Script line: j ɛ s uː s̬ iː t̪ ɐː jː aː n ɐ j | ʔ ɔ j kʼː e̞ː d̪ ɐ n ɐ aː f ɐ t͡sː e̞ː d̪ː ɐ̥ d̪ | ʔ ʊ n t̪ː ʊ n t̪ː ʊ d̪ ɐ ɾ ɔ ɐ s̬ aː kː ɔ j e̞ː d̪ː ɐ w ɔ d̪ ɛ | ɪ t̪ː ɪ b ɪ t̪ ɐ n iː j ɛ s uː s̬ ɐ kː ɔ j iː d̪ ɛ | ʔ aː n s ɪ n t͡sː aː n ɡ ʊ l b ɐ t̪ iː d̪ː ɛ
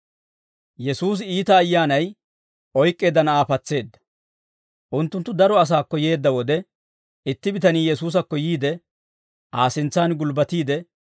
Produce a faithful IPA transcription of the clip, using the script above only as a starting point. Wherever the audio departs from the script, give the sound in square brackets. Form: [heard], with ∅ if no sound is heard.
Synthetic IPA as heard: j ɛ s uː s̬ iː t̪ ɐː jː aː n ɐ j | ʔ ɔ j kʼː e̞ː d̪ ɐ n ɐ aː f ɐ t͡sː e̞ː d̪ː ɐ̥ [∅] | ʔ ʊ n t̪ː ʊ n t̪ː ʊ d̪ ɐ ɾ ɔ ɐ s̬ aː kː ɔ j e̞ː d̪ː ɐ w ɔ d̪ ɛ | ɪ t̪ː ɪ b ɪ t̪ ɐ n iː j ɛ s uː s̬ ɐ kː ɔ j iː d̪ ɛ | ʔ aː [∅] s ɪ n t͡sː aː n ɡ ʊ l b ɐ t̪ iː [d̪] ɛ